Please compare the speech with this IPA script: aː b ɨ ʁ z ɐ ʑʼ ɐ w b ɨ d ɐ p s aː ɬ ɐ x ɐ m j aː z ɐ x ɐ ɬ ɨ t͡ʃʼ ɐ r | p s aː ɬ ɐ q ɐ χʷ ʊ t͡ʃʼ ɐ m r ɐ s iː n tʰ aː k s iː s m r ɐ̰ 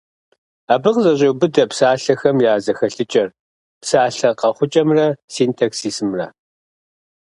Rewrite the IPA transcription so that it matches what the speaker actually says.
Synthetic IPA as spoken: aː b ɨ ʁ z ɐ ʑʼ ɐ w b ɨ d ɐ p s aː ɬ ɐ x ɐ m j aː z ɐ x ɐ ɬ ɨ t͡ʃʼ ɐ r | p s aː ɬ ɐ q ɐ χʷ ʊ t͡ʃʼ ɐ m r ɐ s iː n tʰ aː k s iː s m r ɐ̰

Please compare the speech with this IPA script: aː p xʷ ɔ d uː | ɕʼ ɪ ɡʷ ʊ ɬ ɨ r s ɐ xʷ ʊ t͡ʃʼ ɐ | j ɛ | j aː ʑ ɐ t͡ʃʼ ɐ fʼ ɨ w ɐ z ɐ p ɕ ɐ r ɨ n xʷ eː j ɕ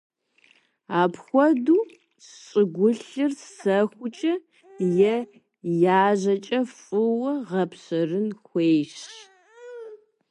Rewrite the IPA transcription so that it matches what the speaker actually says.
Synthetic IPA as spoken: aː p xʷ ɔ d uː | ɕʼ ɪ ɡʷ ʊ ɬ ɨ r s ɐ xʷ ʊ t͡ʃʼ ɐ | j ɛ | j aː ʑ ɐ t͡ʃʼ ɐ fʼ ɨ w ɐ ʁ ɐ p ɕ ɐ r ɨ n xʷ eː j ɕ

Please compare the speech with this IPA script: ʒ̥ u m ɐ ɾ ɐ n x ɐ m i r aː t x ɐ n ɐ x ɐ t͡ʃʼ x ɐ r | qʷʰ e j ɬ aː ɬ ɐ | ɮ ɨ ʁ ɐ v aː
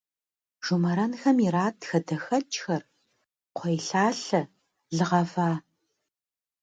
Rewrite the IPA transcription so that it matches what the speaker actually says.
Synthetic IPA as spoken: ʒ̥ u m ɐ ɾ ɐ n x ɐ m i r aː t x ɐ d ɐ x ɐ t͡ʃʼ x ɐ r | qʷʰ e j ɬ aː ɬ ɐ | ɮ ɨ ʁ ɐ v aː

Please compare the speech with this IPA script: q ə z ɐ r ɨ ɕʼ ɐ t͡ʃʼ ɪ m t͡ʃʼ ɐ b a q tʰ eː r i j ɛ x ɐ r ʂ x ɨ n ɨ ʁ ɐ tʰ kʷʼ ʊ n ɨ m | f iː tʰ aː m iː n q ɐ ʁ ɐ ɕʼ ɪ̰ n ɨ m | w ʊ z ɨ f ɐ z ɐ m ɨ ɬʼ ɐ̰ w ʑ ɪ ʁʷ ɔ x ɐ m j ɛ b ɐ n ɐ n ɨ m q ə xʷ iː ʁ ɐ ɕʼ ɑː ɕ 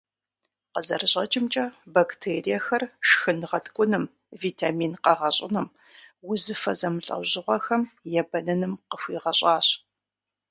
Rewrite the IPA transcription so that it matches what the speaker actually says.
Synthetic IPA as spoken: q ə z ɐ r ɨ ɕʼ ɐ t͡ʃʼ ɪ m t͡ʃʼ ɐ b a k tʰ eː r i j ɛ x ɐ r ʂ x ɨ n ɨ ʁ ɐ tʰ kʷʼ ʊ n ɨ m | v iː tʰ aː m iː n q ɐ ʁ ɐ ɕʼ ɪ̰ n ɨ m | w ʊ z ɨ f ɐ z ɐ m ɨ ɬʼ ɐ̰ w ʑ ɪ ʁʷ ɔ x ɐ m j ɛ b ɐ n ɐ n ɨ m q ə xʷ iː ʁ ɐ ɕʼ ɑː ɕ

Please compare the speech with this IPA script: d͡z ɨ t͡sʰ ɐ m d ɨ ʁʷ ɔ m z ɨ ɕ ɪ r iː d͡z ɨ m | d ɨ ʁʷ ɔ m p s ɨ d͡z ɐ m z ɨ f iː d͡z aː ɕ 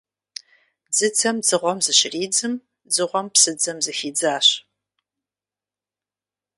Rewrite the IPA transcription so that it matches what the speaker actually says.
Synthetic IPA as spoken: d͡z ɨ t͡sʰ ɐ m d͡z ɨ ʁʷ ɔ m z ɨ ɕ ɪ r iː d͡z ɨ m | d͡z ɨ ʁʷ ɔ m p s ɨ d͡z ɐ m z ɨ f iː d͡z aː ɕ

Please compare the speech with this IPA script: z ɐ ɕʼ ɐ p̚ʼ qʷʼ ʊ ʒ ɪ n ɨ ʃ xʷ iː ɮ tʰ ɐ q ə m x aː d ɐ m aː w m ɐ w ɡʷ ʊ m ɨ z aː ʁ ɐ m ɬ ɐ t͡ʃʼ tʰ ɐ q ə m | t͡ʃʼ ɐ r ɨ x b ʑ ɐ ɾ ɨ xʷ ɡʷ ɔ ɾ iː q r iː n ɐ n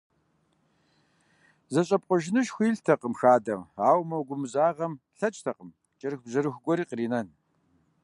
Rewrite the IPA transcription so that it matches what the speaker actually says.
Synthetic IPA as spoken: z ɐ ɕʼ ɐ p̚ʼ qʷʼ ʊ ʒ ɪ n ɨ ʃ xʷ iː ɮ tʰ ɐ q ə m x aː d ɐ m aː w m ɐ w ɡʷ ʊ m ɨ z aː ʁ ɐ m ɬ ɐ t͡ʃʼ tʰ ɐ q ə m | t͡ʃʼ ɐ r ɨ x b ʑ ɐ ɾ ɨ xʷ ɡʷ ɔ ɾ iː q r iː n ɐ n

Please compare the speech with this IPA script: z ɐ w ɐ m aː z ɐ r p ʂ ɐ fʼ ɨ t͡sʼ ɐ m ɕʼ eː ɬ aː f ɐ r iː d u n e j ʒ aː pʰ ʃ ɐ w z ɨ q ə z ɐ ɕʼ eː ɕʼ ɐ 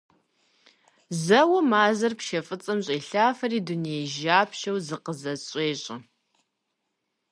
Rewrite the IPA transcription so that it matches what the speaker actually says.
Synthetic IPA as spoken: z ɐ w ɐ m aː z ɐ r p ʃ ɐ fʼ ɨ t͡sʼ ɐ m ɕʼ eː ɬ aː f ɐ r iː d u n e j ʒ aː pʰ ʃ ɐ w z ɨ q ə z ɐ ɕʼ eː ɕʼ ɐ

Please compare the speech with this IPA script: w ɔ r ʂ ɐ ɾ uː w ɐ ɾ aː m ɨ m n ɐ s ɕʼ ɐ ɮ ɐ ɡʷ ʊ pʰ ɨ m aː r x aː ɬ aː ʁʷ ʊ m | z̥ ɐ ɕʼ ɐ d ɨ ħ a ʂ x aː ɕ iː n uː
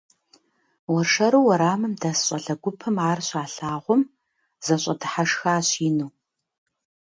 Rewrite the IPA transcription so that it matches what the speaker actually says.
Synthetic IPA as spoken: w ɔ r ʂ ɐ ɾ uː w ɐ ɾ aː m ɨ m d ɐ s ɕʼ ɐ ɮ ɐ ɡʷ ʊ pʰ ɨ m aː r ɕ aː ɬ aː ʁʷ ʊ m | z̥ ɐ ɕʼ ɐ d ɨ ħ a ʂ x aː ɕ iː n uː

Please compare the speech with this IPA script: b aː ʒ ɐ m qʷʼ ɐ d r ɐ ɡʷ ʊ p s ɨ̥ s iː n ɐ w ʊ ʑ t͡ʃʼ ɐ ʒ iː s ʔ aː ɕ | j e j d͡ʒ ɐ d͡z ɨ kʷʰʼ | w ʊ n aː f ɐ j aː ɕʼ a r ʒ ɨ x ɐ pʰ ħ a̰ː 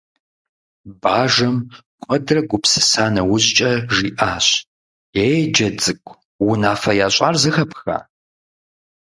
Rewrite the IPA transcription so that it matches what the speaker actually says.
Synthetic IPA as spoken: b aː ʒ ɐ m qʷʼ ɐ d r ɐ ɡʷ ʊ p s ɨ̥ s aː n ɐ w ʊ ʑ t͡ʃʼ ɐ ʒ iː ʔ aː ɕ | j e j d͡ʒ ɐ d͡z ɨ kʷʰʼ | w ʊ n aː f ɐ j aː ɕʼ a r z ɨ x ɐ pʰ x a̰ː

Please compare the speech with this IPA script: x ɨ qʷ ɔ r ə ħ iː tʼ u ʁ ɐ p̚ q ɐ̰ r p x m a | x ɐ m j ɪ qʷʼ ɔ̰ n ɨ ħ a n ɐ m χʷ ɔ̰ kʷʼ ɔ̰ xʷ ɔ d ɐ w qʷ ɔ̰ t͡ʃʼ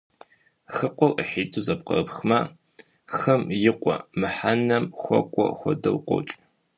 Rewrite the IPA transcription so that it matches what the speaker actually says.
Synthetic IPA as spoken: x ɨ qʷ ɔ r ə ħ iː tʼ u z ɐ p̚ q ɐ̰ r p x m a | x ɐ m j ɪ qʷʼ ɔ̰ m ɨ ħ a n ɐ m xʷ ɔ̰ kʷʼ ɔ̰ xʷ ɔ d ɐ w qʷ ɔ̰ t͡ʃʼ

